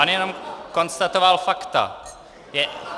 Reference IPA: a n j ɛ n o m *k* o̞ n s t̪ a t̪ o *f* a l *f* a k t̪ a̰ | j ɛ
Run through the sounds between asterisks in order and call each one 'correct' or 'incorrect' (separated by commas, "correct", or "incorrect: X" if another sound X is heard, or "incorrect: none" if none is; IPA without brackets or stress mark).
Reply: correct, incorrect: v, correct